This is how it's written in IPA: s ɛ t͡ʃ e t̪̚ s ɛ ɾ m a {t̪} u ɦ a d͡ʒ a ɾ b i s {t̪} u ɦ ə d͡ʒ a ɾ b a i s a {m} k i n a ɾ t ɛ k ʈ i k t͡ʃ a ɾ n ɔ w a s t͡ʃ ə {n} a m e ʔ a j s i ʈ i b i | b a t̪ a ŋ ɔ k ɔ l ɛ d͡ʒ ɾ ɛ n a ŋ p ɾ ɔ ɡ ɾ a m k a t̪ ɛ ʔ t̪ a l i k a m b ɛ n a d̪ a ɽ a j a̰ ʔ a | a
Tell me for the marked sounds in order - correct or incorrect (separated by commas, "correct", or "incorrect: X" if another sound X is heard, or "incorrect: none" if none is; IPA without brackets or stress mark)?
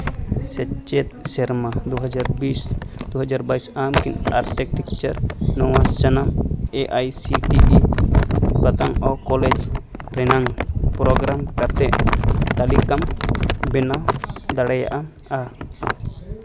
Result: incorrect: d̪, incorrect: d̪, correct, correct